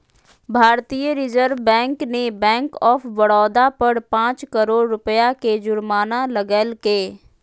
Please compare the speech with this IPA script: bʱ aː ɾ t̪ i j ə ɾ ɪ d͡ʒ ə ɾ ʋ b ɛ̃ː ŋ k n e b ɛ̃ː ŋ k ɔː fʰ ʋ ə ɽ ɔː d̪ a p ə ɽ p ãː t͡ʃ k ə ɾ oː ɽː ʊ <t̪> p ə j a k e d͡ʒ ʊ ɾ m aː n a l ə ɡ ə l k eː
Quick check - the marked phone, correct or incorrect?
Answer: incorrect